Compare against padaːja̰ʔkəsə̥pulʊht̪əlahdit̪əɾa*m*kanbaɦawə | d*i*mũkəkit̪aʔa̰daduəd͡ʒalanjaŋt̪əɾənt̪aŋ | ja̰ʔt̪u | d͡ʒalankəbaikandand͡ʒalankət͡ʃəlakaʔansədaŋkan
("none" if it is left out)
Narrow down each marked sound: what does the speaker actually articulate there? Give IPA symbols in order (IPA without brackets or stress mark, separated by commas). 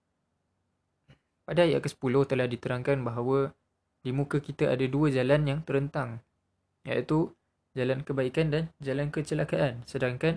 ŋ, i